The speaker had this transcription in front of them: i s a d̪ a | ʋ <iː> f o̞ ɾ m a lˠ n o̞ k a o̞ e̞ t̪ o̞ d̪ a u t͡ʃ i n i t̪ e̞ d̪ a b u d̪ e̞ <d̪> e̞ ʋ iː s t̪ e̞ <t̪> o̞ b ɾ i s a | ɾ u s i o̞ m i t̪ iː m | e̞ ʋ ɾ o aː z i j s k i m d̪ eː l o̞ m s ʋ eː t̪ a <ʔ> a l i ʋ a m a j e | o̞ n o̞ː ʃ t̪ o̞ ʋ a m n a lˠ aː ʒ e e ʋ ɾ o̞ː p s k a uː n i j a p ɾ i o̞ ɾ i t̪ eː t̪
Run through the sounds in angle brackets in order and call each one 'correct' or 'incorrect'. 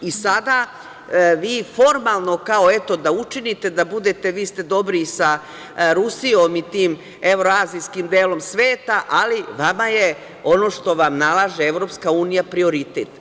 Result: correct, incorrect: t̪, incorrect: d̪, correct

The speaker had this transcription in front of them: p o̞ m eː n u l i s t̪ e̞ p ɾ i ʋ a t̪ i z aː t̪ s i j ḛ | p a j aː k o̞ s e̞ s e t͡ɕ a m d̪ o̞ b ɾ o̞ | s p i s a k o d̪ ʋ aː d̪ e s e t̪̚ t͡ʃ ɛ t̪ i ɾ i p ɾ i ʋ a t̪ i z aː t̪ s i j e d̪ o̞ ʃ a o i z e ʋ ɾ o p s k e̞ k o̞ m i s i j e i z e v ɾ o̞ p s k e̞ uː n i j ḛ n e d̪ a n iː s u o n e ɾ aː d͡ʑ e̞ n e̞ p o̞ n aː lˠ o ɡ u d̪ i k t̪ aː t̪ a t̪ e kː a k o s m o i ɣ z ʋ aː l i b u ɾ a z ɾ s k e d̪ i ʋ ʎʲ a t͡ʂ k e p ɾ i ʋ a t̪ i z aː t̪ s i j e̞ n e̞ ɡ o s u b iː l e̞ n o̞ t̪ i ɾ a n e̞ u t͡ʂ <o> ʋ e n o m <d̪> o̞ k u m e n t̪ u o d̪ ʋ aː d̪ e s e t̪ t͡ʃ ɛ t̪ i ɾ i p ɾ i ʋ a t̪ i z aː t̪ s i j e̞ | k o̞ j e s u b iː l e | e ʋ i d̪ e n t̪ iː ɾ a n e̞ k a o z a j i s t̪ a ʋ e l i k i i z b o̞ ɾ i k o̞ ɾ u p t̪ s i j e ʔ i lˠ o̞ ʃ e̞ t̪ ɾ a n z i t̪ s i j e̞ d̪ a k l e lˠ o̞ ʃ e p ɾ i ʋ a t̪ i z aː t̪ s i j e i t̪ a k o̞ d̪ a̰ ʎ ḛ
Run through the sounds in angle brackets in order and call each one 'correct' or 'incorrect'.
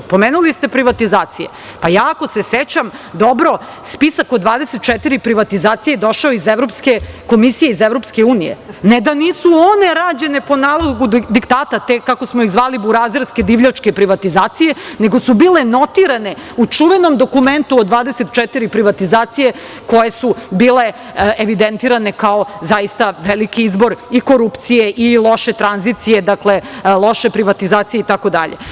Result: incorrect: u, correct

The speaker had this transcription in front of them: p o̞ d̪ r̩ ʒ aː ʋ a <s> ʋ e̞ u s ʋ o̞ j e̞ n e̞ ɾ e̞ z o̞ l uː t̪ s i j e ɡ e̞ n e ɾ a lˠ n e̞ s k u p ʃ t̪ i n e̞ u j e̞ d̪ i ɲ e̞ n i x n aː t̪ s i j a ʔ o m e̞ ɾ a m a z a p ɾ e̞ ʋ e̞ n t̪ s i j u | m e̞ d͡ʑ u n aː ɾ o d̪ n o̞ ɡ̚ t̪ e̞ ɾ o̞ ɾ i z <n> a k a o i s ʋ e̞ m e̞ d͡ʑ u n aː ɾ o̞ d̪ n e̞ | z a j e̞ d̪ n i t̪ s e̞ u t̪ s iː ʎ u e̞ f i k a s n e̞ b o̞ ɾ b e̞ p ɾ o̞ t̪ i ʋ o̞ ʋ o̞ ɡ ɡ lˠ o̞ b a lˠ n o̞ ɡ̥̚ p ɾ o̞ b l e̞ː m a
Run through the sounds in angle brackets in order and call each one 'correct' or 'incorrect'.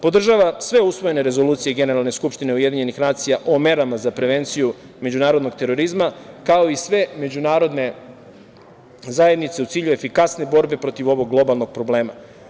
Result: correct, incorrect: m

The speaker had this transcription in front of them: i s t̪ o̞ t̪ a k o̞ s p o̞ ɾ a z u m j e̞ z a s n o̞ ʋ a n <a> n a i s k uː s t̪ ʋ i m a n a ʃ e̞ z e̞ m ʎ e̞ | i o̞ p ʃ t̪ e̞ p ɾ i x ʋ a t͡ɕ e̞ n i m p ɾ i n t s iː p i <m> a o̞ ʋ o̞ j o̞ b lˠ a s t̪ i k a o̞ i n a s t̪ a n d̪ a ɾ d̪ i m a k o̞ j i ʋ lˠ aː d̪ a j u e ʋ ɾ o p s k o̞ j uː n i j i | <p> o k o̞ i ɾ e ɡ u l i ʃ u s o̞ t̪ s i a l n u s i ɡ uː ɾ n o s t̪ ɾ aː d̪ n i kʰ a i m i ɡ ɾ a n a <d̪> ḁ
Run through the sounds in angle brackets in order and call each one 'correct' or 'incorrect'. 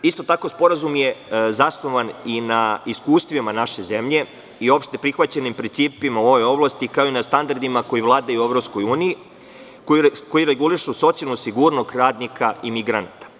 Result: incorrect: i, correct, incorrect: k, incorrect: t̪

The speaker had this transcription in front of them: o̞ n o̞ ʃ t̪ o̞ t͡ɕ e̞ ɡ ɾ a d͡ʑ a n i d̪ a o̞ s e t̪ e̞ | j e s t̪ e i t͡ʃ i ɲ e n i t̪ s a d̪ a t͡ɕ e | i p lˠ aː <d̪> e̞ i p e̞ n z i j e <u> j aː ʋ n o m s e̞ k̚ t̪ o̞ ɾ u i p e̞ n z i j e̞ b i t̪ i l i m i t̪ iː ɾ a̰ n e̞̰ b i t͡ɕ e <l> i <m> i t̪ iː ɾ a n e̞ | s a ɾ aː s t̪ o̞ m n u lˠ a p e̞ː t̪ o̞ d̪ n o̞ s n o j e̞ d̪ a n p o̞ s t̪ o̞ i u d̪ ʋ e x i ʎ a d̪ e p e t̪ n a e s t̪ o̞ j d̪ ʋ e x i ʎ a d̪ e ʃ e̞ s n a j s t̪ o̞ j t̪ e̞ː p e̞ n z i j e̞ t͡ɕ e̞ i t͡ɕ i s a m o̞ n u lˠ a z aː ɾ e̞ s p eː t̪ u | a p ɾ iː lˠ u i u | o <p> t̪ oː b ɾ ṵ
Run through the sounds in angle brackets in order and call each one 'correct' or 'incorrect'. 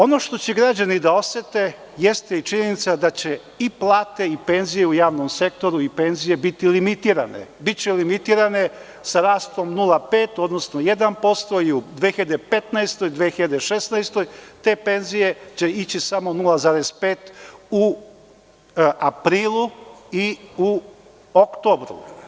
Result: incorrect: t̪, correct, correct, correct, incorrect: k

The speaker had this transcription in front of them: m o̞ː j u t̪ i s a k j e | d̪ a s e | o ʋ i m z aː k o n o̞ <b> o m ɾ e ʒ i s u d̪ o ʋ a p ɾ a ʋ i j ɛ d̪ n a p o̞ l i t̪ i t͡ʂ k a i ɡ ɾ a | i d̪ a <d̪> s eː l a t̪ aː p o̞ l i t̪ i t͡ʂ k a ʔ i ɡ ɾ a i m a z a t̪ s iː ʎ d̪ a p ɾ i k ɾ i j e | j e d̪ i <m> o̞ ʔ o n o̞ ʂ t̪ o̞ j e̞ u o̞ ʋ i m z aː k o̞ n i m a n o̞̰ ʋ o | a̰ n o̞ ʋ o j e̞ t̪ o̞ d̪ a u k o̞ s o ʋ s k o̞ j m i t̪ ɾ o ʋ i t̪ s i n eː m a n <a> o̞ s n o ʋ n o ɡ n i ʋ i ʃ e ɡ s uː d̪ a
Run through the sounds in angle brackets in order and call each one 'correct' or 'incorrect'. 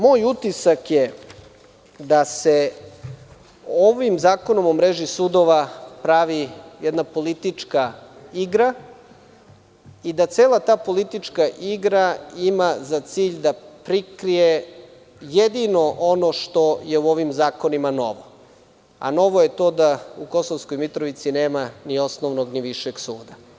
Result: incorrect: m, incorrect: t̪, incorrect: n, incorrect: i

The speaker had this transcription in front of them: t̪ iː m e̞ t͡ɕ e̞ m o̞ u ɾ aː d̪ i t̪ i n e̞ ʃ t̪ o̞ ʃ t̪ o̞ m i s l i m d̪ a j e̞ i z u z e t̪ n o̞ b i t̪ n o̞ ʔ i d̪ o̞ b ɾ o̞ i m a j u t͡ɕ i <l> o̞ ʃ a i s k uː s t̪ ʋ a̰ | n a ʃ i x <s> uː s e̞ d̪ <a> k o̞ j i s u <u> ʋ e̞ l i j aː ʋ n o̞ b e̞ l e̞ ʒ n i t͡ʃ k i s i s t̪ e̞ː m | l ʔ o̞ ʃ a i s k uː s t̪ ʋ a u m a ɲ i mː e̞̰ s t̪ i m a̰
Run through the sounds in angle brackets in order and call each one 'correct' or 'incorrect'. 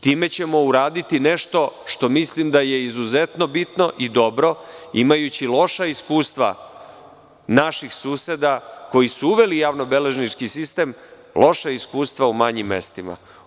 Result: correct, correct, correct, correct

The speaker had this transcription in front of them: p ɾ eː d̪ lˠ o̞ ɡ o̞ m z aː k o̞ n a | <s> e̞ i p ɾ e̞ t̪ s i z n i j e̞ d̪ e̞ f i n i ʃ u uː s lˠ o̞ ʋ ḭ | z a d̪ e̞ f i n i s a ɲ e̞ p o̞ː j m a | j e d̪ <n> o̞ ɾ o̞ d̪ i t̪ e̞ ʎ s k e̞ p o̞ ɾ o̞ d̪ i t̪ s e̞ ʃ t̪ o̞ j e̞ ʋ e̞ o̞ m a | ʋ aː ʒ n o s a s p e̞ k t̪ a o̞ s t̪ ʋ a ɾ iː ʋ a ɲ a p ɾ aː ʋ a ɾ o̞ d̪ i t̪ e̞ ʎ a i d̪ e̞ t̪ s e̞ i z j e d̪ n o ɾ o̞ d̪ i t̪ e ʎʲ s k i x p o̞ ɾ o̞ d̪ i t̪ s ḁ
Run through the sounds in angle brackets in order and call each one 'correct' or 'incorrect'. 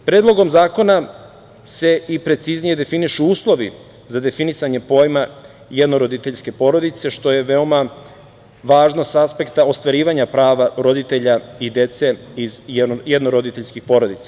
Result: correct, correct

